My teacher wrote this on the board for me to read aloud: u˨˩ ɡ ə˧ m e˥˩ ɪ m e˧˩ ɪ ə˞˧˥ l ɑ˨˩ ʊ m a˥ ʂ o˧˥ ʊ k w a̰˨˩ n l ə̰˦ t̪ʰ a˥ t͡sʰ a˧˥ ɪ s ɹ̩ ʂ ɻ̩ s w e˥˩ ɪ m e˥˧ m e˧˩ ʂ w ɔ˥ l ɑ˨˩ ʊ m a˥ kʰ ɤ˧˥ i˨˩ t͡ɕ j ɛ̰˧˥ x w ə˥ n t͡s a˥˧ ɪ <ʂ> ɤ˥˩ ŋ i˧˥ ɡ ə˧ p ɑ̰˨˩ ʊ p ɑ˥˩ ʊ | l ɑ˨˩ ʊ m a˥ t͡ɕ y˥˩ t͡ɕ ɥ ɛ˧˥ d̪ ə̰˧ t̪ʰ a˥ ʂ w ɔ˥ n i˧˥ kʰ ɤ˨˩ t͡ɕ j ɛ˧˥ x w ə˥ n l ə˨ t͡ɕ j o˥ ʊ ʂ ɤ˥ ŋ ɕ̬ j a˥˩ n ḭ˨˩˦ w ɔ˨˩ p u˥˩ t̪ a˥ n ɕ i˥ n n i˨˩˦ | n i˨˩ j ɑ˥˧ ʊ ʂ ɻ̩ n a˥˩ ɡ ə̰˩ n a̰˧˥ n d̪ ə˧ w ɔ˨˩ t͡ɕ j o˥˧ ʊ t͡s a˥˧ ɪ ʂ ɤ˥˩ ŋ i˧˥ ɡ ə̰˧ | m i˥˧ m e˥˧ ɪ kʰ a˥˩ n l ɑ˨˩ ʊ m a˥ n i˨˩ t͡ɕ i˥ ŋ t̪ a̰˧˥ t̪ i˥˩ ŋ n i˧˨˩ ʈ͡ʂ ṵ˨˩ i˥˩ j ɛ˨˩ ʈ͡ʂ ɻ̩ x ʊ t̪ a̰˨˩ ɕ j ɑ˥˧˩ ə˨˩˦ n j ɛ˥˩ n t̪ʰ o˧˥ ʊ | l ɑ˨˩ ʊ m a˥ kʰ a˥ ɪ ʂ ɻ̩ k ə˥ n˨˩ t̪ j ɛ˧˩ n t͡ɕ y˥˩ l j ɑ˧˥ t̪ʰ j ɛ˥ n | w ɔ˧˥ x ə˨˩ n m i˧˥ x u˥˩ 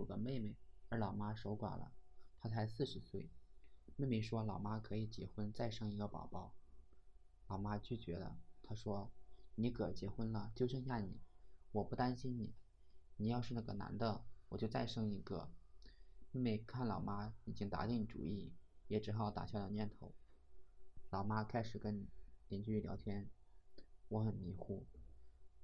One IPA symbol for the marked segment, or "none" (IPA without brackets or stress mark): ʂ